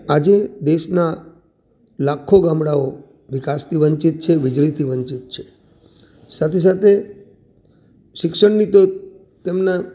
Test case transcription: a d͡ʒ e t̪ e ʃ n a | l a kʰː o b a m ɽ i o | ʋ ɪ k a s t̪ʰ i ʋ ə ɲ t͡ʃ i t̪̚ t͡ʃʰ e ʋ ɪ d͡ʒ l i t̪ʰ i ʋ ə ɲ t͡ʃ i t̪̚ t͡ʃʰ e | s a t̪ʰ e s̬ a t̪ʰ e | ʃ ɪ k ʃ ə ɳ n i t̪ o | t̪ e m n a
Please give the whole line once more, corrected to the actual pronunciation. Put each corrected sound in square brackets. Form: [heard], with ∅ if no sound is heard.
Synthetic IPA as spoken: a d͡ʒ e [d̪] e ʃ n a | l a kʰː o [ɡ] a m ɽ [a] o | ʋ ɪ k a s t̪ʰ i ʋ ə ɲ t͡ʃ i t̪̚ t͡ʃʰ e ʋ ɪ d͡ʒ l i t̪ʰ i ʋ ə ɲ t͡ʃ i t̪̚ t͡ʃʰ e | s a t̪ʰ e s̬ a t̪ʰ e | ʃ ɪ k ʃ ə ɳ n i t̪ o | t̪ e m n a